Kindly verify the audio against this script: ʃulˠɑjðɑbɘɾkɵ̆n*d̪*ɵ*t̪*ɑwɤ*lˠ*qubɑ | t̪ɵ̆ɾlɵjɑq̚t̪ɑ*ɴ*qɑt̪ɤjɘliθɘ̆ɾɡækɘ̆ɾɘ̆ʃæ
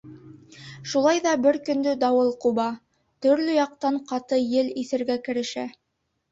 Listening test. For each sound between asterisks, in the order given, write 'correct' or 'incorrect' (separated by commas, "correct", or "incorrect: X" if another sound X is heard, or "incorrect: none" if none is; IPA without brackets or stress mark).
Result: correct, incorrect: d̪, correct, correct